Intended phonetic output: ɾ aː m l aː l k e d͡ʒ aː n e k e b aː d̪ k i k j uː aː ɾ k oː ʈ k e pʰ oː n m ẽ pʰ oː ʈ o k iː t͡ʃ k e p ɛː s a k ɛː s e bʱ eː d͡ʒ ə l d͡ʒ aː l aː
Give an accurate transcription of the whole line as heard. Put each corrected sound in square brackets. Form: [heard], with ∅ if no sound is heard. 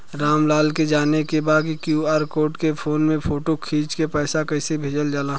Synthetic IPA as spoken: ɾ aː m l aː l k e d͡ʒ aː n e k e b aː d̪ k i k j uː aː ɾ k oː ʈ k e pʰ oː n m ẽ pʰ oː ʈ o [kʰ] iː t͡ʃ k e p ɛː s a k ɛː s e bʱ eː d͡ʒ ə l d͡ʒ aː l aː